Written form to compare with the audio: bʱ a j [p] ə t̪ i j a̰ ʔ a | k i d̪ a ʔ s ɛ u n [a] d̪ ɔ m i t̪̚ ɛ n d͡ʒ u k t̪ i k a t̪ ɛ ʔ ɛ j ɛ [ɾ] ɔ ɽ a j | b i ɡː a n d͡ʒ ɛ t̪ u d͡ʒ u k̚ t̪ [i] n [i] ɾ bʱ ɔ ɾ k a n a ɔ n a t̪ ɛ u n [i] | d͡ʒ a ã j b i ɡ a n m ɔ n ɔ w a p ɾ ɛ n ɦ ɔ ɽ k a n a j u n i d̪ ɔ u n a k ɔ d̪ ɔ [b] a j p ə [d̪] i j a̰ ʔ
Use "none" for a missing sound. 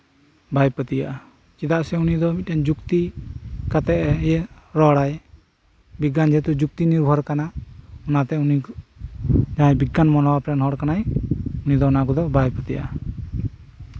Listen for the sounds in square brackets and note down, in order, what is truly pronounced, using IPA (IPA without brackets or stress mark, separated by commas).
p, i, ɾ, i, i, i, b, t̪